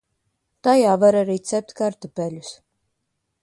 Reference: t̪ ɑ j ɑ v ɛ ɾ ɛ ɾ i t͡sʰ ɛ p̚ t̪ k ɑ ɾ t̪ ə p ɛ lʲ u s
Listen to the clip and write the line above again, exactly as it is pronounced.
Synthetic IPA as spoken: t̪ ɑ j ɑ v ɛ ɾ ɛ ɾ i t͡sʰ ɛ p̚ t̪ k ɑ ɾ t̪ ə p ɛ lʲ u s